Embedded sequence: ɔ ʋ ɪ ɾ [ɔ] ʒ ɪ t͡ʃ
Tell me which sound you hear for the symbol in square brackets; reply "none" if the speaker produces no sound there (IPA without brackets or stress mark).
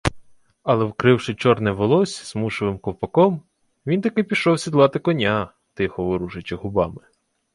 u